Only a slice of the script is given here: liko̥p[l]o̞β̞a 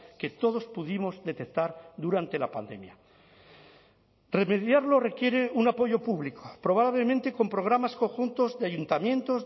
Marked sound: incorrect: ɾ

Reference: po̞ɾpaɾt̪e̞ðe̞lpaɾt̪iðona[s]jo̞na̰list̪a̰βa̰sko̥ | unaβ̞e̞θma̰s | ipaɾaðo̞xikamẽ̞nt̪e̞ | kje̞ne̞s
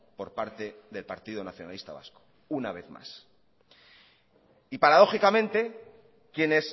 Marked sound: incorrect: θ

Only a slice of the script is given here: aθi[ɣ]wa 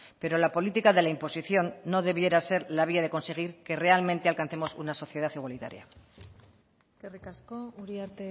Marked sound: correct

